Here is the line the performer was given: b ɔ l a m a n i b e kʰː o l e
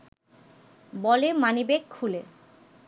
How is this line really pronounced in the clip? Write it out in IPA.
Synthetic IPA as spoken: b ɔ l e m a n i b e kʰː u l e